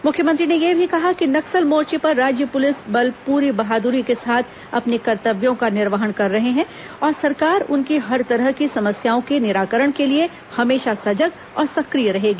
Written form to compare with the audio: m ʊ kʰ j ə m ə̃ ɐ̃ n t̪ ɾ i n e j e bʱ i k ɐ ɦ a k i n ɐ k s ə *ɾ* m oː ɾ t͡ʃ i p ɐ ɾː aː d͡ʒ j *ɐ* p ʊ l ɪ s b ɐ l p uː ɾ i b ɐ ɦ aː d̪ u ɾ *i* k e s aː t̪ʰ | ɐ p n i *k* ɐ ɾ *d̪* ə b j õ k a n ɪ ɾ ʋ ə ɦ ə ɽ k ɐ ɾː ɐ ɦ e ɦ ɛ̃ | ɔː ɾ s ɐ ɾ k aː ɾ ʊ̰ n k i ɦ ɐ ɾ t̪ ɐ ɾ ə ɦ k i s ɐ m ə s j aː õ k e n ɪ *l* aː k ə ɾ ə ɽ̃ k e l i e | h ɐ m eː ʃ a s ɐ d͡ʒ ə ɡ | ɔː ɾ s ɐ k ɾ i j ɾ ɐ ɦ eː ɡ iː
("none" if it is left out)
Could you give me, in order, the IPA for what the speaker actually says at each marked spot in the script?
l, ə, i, k, t̪, ɾ

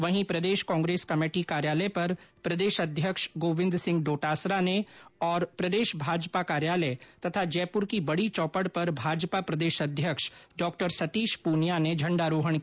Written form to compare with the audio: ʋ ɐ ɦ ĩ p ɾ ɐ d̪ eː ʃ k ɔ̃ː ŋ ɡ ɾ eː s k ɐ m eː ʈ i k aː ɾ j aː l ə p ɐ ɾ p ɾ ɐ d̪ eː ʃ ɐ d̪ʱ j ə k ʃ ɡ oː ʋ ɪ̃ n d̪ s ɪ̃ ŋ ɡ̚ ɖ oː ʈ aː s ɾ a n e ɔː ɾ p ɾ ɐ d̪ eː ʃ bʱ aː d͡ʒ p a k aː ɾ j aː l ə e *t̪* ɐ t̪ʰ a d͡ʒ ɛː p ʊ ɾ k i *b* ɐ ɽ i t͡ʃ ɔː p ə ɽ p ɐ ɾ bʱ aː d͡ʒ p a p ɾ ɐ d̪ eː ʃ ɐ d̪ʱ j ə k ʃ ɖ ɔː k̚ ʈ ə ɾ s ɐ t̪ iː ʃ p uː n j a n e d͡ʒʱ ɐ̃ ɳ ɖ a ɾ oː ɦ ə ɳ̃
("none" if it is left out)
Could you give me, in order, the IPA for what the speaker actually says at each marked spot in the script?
t̪, b

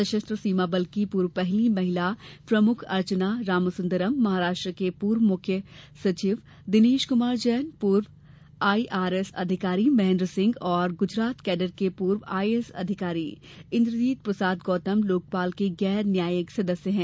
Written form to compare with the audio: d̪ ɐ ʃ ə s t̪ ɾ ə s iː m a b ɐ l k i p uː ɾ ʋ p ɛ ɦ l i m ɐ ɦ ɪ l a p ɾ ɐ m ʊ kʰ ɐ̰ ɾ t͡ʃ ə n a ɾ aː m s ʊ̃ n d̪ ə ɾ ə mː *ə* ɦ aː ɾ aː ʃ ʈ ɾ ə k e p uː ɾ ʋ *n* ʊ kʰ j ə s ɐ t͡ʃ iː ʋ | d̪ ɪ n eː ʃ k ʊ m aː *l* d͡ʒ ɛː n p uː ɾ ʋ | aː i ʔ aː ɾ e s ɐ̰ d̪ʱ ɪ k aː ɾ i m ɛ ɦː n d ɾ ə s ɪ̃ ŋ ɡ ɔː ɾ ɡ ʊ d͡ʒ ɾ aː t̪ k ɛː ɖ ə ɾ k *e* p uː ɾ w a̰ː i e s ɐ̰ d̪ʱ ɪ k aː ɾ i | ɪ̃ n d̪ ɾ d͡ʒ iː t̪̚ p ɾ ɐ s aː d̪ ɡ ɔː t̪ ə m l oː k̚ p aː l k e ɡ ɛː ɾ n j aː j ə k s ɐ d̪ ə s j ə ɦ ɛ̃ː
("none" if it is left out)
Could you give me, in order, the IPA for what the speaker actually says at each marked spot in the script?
ɐ, m, ɾ, e

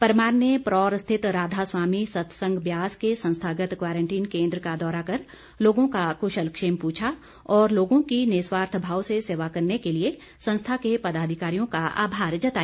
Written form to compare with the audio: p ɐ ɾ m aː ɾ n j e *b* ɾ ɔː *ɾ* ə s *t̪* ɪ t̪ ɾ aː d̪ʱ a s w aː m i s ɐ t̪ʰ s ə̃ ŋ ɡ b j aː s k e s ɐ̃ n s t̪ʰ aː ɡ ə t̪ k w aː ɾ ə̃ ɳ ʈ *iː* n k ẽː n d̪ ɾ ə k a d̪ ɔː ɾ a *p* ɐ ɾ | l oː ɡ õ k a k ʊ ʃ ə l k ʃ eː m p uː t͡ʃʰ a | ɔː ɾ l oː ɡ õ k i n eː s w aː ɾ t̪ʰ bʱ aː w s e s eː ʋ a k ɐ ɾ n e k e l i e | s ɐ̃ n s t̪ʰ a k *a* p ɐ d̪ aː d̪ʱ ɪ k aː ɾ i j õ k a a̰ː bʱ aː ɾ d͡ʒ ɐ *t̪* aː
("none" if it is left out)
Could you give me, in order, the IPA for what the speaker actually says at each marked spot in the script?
p, ɾ, t̪ʰ, iː, k, e, t̪

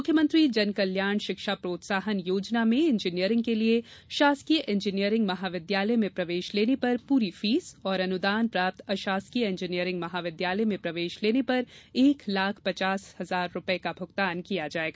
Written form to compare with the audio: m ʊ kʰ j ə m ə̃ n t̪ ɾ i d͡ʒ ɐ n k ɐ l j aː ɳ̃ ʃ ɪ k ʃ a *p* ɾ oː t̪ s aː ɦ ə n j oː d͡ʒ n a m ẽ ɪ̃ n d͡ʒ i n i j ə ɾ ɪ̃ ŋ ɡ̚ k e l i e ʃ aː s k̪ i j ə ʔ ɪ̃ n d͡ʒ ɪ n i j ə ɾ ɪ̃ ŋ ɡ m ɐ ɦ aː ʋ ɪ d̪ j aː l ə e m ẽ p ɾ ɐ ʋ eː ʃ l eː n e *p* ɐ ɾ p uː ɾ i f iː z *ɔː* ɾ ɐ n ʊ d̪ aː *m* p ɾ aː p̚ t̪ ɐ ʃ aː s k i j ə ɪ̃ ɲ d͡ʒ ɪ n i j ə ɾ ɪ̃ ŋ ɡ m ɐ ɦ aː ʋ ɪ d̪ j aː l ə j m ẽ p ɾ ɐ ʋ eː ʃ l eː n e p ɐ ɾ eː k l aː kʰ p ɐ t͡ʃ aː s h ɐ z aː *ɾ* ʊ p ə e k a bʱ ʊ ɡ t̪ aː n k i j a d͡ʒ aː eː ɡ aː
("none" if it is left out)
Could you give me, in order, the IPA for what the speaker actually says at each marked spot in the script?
p, p, ɔː, n, ɾː

